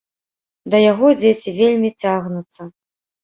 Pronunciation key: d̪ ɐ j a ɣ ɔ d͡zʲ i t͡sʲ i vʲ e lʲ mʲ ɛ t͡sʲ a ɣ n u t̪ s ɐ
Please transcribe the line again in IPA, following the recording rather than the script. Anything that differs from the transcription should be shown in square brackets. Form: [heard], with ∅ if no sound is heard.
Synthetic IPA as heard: d̪ ɐ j a ɣ ɔ d͡zʲ [e] t͡sʲ i vʲ e lʲ mʲ [i] t͡sʲ a ɣ n u t̪ s ɐ

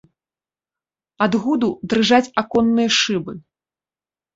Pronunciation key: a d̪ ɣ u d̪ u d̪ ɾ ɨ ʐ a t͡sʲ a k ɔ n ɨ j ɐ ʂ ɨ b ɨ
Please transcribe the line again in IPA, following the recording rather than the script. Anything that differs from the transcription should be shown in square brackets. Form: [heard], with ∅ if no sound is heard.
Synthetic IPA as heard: a d̪ ɣ u d̪ u d̪ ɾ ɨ ʐ a t͡sʲ a k ɔ [nː] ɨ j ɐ ʂ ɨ b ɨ

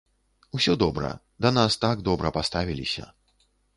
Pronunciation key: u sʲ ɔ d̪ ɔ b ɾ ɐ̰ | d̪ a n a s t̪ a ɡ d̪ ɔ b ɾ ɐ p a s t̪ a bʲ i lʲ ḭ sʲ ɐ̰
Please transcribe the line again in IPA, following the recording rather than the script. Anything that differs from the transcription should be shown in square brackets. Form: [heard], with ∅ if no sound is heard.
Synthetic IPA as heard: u sʲ ɔ d̪ ɔ b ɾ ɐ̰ | d̪ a n a s t̪ a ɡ d̪ ɔ b ɾ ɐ p a s t̪ a [vʲ] i lʲ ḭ sʲ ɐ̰

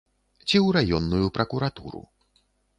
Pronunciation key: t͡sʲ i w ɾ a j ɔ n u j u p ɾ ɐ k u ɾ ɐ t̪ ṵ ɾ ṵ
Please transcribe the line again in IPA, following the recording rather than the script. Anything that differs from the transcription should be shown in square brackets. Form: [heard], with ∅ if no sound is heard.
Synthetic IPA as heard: t͡sʲ i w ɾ a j ɔ [nː] u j u p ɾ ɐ k u ɾ [a] t̪ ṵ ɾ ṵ

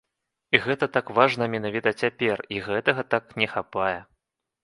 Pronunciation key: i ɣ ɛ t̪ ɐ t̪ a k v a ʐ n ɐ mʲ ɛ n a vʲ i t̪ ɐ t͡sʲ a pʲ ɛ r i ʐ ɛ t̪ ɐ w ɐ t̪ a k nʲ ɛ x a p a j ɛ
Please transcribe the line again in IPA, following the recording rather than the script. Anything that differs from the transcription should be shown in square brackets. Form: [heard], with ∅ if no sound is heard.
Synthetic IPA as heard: i ɣ ɛ t̪ ɐ t̪ a k v a ʐ n ɐ mʲ ɛ n a vʲ i t̪ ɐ t͡sʲ a pʲ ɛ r i [ɣ] ɛ t̪ ɐ [ɣ] ɐ t̪ a k nʲ ɛ x a p a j ɛ

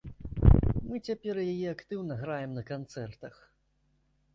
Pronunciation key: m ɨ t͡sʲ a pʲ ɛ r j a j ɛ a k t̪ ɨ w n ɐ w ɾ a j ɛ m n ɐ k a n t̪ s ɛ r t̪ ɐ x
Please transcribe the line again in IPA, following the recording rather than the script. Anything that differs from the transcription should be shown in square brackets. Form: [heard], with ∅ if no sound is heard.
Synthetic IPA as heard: m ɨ t͡sʲ a pʲ ɛ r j a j ɛ a k t̪ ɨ w n ɐ [ɣ] ɾ a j ɛ m n ɐ k a n t̪ s ɛ r t̪ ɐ x

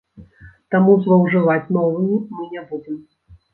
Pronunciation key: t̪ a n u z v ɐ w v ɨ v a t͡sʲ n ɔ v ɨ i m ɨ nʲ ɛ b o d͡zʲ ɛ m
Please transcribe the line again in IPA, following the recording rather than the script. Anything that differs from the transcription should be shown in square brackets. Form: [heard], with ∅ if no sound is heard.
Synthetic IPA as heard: t̪ a [m] u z v ɐ w [ʐ] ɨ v a t͡sʲ n ɔ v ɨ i m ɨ nʲ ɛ b [u] d͡zʲ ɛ m

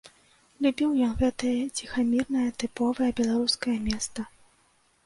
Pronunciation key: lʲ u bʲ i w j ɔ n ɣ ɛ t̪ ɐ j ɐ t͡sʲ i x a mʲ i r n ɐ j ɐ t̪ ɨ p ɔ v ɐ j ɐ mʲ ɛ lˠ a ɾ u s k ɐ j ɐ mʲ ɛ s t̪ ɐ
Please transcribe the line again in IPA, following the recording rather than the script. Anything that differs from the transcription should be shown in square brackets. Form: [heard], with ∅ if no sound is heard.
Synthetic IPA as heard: lʲ u bʲ i w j ɔ n ɣ ɛ t̪ ɐ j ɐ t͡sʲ i x a mʲ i r n ɐ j ɐ t̪ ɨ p ɔ v ɐ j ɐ [bʲ] ɛ lˠ a ɾ u s k ɐ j ɐ mʲ ɛ s t̪ ɐ

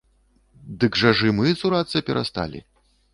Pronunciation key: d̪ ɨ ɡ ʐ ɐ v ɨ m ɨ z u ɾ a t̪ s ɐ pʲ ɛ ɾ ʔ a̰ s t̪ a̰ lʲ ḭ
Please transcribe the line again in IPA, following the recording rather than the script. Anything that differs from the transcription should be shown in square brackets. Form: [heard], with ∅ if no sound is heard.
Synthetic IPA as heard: d̪ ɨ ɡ ʐ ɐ [ʐ] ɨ m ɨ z u ɾ a t̪ s ɐ pʲ ɛ ɾ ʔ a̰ s t̪ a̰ lʲ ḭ

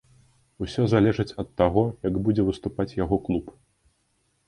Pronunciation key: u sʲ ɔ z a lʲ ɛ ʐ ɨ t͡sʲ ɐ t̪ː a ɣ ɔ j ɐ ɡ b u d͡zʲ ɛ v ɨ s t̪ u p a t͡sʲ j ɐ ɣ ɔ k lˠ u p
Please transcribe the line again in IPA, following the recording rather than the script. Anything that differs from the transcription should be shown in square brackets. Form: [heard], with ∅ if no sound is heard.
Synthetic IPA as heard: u sʲ ɔ z a lʲ ɛ ʐ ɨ t͡sʲ ɐ t̪ː a ɣ ɔ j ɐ ɡ b u d͡zʲ ɛ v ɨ s t̪ u p a t͡sʲ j [a] ɣ ɔ k lˠ u p

